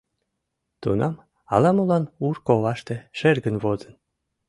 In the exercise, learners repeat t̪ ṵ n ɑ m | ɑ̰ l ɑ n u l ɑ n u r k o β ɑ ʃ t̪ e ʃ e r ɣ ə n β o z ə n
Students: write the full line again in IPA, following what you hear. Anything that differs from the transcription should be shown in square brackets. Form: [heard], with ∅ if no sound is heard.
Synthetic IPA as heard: t̪ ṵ n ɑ m | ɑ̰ l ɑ [m] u l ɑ n u r k o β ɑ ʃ t̪ e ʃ e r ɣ ə n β o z ə n